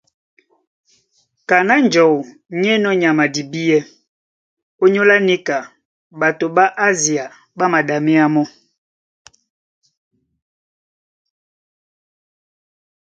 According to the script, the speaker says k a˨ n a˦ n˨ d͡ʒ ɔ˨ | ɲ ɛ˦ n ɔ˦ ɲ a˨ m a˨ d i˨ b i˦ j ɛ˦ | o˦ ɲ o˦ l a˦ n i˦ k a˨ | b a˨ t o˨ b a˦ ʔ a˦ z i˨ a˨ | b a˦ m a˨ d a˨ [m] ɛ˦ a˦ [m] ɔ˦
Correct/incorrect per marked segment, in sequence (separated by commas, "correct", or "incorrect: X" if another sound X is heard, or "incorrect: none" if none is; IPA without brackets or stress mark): correct, correct